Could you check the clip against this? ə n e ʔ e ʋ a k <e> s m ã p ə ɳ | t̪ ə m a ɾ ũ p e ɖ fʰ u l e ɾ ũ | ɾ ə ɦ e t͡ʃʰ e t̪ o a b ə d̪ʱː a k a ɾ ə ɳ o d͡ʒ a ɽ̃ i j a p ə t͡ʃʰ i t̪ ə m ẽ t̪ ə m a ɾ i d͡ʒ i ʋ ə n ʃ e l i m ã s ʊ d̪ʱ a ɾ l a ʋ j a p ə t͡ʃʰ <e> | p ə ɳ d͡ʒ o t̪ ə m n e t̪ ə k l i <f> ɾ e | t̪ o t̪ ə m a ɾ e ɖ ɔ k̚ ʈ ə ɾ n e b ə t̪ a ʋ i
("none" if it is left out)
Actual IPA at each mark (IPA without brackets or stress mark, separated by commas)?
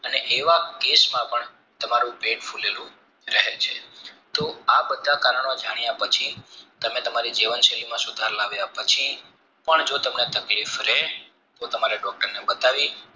e, i, f